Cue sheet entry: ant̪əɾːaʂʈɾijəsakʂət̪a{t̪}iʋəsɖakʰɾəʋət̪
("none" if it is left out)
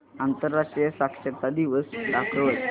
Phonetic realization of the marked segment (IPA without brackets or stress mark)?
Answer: d̪